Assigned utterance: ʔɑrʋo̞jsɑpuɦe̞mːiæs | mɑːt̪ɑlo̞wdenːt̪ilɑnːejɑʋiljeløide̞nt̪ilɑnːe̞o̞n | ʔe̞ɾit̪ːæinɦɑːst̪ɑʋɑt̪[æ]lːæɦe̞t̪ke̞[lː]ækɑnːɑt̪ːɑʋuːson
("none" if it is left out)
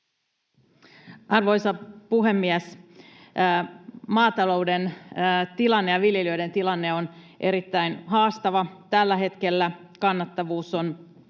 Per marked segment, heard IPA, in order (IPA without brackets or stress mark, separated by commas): æ, lː